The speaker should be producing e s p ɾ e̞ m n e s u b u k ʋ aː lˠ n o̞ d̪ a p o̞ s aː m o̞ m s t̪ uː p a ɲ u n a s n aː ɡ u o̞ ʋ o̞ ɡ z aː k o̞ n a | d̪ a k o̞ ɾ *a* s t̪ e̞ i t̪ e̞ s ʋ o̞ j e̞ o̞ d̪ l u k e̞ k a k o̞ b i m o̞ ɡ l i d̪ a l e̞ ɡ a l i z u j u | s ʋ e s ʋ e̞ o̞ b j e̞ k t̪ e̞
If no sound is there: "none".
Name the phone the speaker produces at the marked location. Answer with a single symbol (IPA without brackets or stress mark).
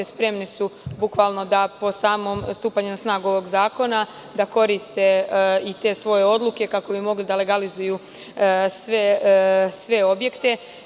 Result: i